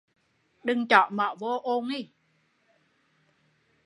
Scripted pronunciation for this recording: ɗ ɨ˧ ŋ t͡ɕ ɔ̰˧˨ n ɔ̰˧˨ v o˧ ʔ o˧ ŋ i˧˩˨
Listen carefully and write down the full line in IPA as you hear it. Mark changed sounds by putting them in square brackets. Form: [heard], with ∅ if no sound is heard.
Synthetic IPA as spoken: ɗ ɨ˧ ŋ t͡ɕ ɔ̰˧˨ [m] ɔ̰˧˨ v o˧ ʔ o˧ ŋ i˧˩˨

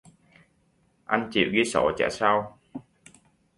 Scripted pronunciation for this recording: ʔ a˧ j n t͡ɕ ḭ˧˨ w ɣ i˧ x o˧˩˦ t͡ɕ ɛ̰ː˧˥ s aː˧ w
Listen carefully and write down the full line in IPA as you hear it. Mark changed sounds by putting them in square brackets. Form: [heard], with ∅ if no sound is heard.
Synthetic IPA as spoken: ʔ a˧ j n t͡ɕ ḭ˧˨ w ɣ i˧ [s] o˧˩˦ t͡ɕ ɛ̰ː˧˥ s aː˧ w

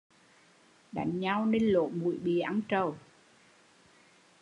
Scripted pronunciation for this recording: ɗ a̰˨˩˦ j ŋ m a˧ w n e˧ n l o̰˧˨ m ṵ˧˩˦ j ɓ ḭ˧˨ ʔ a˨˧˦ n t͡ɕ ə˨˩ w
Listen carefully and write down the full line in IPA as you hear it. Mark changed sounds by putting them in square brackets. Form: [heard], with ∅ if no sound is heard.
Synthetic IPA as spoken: ɗ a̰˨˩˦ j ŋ [ɲ] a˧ w n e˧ n l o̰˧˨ m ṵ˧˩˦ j ɓ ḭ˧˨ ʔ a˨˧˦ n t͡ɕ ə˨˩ w

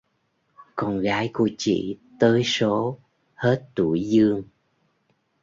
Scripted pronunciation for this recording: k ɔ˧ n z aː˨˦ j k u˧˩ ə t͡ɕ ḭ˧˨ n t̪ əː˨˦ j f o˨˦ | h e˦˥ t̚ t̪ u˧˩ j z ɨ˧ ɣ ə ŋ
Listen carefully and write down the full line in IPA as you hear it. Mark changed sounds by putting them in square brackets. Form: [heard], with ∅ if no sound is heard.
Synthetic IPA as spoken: k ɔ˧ n [ɣ] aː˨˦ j k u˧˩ ə t͡ɕ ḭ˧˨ [∅] t̪ əː˨˦ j [s] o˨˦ | h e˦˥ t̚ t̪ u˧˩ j z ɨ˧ [∅] ə ŋ

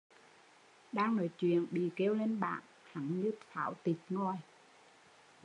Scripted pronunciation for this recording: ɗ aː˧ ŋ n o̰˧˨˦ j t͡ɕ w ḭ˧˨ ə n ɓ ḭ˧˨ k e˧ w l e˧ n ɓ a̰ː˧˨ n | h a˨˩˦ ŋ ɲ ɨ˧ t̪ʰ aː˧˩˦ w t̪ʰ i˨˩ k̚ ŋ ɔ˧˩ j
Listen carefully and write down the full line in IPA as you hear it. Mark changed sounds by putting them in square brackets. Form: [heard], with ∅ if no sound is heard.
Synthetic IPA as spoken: ɗ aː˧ ŋ n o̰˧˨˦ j t͡ɕ w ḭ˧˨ ə n ɓ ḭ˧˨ k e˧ w l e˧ n ɓ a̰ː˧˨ n | h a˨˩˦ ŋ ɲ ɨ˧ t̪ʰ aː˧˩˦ w [t̪] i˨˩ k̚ ŋ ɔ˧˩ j

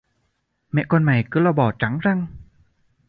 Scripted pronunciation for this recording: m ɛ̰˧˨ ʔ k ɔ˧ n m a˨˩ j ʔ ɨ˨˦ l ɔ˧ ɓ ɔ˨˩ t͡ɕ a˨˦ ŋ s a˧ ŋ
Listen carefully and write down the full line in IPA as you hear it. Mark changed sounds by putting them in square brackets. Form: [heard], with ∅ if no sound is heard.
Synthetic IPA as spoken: m ɛ̰˧˨ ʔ k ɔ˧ n m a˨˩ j [k] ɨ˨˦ l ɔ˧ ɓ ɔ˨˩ t͡ɕ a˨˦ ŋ [z] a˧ ŋ

